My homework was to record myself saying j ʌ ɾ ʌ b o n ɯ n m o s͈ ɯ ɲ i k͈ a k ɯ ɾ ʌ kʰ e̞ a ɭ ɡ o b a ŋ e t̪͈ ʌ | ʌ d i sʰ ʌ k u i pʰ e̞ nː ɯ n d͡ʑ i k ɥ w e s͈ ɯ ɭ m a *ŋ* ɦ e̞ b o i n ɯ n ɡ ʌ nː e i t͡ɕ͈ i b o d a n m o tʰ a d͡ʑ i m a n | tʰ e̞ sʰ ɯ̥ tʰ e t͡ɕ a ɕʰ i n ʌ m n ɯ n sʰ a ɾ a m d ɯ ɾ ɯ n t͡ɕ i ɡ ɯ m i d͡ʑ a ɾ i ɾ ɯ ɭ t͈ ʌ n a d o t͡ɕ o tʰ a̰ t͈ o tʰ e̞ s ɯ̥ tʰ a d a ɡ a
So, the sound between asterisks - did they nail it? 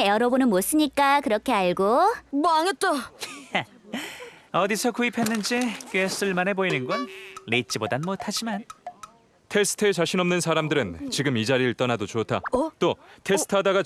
no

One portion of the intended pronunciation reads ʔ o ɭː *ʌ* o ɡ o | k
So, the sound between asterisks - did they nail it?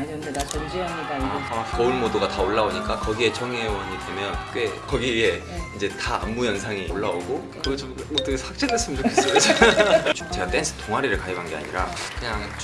no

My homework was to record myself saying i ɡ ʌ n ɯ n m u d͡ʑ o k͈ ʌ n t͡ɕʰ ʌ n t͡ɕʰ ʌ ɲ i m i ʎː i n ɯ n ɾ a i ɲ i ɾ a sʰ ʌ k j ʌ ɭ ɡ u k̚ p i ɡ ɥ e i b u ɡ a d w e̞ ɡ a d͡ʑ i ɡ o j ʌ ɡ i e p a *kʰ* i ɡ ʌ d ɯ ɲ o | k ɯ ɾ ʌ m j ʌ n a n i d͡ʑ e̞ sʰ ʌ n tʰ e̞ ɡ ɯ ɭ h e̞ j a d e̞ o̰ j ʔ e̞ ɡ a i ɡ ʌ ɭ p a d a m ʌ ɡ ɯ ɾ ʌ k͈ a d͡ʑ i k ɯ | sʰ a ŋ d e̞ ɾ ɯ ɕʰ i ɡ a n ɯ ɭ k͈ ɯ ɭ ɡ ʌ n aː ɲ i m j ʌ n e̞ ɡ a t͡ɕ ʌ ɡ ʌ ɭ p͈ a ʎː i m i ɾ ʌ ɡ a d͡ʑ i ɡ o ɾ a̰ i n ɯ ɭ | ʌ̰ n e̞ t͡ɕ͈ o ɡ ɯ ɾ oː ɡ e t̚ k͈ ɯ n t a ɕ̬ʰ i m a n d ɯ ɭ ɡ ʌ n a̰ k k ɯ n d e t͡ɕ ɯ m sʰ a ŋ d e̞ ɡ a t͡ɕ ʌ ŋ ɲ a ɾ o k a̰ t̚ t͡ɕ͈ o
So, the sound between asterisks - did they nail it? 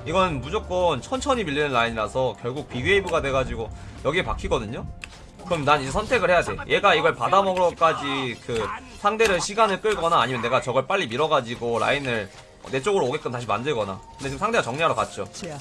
yes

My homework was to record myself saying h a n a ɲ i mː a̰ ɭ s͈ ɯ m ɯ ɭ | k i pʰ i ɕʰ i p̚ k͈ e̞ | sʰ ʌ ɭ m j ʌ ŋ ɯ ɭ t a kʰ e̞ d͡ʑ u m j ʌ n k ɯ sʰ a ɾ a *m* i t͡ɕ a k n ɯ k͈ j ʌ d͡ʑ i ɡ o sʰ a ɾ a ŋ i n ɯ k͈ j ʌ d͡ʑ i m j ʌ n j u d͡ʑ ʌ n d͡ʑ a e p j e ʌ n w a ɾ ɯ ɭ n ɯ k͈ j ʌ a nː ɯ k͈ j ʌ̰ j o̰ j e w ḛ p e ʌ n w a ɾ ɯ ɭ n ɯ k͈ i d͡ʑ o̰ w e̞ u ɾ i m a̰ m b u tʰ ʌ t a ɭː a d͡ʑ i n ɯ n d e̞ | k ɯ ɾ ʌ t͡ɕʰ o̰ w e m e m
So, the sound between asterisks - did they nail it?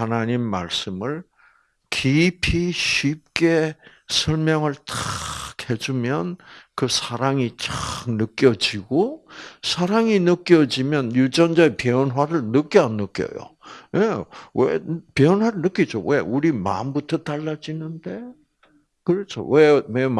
no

